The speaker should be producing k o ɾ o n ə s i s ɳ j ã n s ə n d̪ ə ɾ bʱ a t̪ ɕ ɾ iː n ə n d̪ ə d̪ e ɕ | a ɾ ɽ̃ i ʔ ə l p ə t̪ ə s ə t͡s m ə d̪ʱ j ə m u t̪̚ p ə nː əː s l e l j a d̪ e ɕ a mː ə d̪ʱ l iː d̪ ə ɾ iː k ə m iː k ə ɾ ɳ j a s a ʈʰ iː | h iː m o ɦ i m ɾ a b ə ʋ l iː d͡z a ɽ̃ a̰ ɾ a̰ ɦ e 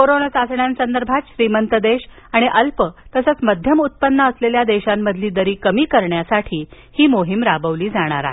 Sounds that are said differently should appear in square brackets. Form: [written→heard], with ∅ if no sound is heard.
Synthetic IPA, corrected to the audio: k o ɾ o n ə s [i→a] s ɳ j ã n s ə n d̪ ə ɾ bʱ a t̪ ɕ ɾ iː [n→m] ə n [d̪→t̪] ə d̪ e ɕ | a [ɾ→∅] ɽ̃ i ʔ ə l p ə t̪ ə s ə t͡s m ə d̪ʱ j ə m u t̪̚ p ə nː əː s l e l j a d̪ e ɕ a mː ə d̪ʱ l iː d̪ ə ɾ iː k ə m iː k ə ɾ ɳ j a s a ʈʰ iː | h iː m o ɦ i m ɾ a b ə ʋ l iː d͡z a ɽ̃ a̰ ɾ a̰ ɦ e

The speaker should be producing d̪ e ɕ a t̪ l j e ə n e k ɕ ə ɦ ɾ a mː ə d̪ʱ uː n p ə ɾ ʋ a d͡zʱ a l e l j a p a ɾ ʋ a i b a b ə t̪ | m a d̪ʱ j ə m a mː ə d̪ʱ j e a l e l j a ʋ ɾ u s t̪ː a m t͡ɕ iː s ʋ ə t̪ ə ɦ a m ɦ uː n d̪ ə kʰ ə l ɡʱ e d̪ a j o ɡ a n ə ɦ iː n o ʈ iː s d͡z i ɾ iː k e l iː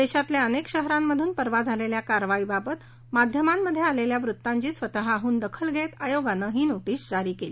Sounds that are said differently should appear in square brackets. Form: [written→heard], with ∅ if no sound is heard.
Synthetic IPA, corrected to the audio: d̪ e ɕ a t̪ l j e ə n e k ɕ ə ɦ ɾ a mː ə d̪ʱ uː n p ə ɾ ʋ a d͡zʱ a l e l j a [p→k] a ɾ ʋ a i b a b ə t̪ | m a d̪ʱ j ə m a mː ə d̪ʱ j e a l e l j a ʋ ɾ u [s→∅] t̪ː a [m→ɲ] t͡ɕ iː s ʋ ə t̪ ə ɦ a [m→∅] ɦ uː n d̪ ə kʰ ə l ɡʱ e [d̪→t̪] a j o ɡ a n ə ɦ iː n o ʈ iː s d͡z [i→a] ɾ iː k e l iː

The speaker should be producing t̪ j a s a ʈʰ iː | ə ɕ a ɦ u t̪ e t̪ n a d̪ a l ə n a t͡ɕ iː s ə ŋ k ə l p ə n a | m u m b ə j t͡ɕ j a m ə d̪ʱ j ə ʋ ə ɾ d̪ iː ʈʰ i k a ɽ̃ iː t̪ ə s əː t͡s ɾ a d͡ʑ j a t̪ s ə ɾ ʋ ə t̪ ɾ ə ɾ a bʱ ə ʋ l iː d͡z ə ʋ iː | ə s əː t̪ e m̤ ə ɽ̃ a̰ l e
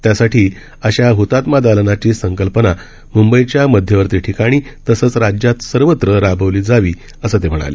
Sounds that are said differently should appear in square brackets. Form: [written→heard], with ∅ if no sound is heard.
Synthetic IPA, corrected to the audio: t̪ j a s a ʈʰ iː | ə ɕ a ɦ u t̪ [e→a] t̪ [n→m] a d̪ a l ə n a t͡ɕ iː s ə ŋ k ə l p ə n a | m u m b ə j t͡ɕ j a m ə d̪ʱ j ə ʋ ə ɾ [d̪→t̪] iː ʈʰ i k a ɽ̃ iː t̪ ə s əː t͡s ɾ a d͡ʑ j a t̪ s ə ɾ ʋ ə t̪ ɾ ə ɾ a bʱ ə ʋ l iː d͡z [ə→a] ʋ iː | ə s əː t̪ e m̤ ə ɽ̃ a̰ l e

